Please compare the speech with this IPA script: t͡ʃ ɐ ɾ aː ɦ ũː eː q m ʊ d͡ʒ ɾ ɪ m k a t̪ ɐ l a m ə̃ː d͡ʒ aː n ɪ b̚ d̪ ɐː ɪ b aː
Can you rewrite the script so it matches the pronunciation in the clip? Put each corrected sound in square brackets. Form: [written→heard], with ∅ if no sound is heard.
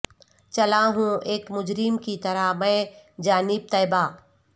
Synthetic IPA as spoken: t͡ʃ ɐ [ɾ→l] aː ɦ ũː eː [q→k] m ʊ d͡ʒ ɾ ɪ m k [a→i] t̪ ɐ [l→ɾ] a m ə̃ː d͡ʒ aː n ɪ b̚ [d̪→t̪] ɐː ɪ b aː